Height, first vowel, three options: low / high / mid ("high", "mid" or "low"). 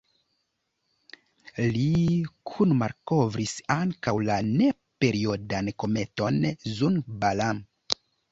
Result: high